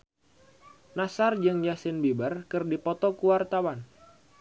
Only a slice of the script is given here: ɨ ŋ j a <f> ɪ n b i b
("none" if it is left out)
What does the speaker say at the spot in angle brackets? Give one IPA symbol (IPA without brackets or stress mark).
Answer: s